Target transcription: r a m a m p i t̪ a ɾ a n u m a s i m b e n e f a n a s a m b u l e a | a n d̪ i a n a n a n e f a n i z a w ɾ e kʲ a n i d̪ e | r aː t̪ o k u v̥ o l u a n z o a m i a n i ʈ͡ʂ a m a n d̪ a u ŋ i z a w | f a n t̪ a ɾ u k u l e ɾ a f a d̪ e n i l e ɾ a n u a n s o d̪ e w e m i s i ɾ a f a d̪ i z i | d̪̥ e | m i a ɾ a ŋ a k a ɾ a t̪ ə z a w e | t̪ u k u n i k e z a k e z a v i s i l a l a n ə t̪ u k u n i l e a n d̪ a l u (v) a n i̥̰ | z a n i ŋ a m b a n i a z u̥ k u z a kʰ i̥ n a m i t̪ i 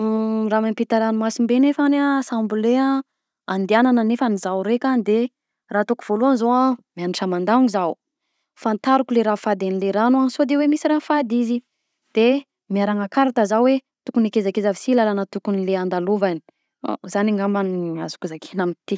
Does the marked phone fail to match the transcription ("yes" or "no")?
no